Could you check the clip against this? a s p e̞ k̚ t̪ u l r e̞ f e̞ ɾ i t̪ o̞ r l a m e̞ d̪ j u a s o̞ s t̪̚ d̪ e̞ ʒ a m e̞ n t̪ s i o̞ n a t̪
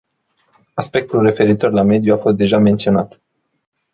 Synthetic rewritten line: a s p e̞ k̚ t̪ u l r e̞ f e̞ ɾ i t̪ o̞ r l a m e̞ d̪ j u a f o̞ s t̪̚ d̪ e̞ ʒ a m e̞ n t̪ s i o̞ n a t̪